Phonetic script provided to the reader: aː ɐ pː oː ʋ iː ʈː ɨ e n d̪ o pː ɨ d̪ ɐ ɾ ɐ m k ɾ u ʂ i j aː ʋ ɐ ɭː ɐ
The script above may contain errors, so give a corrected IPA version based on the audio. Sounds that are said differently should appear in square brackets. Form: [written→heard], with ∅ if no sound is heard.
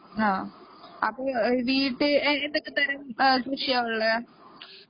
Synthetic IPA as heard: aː ɐ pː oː ʋ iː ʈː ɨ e n d̪ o [pː→kː] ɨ [d̪→t̪] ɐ ɾ ɐ m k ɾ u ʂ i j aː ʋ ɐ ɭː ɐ